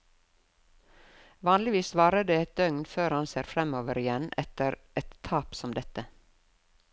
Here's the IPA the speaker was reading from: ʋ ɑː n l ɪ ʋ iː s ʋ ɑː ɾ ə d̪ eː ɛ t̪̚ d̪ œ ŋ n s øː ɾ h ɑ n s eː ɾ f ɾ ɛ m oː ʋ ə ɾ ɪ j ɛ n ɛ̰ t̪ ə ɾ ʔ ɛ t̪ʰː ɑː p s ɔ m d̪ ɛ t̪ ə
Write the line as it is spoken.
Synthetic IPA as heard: ʋ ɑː n l ɪ ʋ iː s ʋ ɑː ɾ ə d̪ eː ɛ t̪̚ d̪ œ ŋ n f øː ɾ h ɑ n s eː ɾ f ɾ ɛ m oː ʋ ə ɾ ɪ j ɛ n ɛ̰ t̪ ə ɾ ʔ ɛ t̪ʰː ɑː p s ɔ m d̪ ɛ t̪ ə